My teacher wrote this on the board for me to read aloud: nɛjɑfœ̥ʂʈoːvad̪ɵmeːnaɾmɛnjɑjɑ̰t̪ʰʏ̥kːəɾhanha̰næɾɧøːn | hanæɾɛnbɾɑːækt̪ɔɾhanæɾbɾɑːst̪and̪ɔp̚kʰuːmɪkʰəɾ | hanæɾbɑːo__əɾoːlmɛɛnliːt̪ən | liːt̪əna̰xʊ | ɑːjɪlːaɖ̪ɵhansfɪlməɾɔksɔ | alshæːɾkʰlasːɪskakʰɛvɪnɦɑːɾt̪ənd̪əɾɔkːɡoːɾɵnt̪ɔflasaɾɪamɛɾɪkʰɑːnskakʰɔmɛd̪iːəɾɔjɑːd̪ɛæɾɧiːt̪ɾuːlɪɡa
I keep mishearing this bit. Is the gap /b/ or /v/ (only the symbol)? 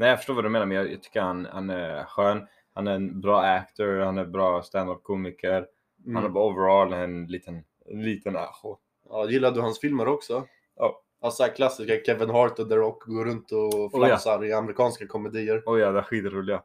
v